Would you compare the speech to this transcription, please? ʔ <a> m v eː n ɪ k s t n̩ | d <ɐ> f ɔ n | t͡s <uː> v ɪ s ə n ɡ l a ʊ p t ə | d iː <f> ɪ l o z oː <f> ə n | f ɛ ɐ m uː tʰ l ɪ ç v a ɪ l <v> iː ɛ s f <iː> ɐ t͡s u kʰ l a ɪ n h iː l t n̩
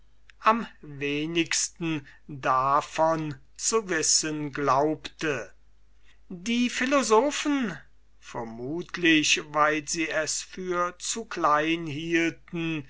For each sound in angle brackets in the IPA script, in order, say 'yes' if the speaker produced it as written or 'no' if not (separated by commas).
yes, no, no, yes, yes, no, no